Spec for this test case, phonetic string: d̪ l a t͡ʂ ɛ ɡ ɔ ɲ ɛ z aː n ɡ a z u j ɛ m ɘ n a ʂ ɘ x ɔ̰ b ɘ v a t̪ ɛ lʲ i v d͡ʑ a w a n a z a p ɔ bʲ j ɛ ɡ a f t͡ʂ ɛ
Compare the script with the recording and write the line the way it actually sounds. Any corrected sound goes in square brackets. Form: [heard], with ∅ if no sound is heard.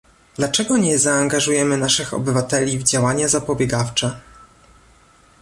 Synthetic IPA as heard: d̪ l a t͡ʂ ɛ ɡ ɔ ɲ ɛ z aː [ŋ] ɡ a [ʐ] u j ɛ m ɘ n a ʂ ɘ x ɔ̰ b ɘ v a t̪ ɛ lʲ i v d͡ʑ a w a [ɲ] a z a p ɔ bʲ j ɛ ɡ a f t͡ʂ ɛ